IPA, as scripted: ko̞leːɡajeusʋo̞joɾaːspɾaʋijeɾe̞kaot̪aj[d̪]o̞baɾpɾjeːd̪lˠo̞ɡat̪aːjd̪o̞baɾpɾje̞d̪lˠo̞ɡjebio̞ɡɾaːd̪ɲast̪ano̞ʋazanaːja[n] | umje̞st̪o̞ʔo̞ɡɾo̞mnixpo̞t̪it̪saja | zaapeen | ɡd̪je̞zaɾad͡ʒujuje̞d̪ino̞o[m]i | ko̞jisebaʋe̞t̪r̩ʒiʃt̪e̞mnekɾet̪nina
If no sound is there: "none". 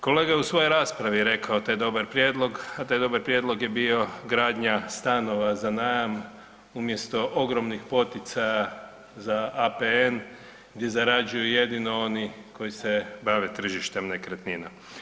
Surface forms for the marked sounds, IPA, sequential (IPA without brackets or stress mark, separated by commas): d̪, m, n